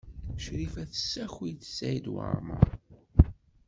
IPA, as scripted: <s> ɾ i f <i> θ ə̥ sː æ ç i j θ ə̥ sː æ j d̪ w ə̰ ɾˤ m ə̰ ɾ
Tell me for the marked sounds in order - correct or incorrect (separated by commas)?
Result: incorrect, incorrect